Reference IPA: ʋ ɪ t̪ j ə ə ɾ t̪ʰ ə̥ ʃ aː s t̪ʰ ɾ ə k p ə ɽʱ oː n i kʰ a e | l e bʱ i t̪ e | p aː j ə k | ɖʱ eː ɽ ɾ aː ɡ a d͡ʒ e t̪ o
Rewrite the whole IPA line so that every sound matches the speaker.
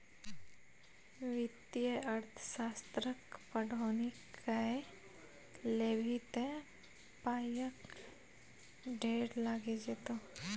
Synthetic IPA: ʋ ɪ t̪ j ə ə ɾ t̪ʰ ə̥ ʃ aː s t̪ ɾ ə k p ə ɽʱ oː n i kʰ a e | l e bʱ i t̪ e | p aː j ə k | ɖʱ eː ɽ l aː ɡ e d͡ʒ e t̪ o